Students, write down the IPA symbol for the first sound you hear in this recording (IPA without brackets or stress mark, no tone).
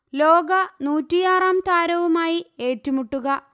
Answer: l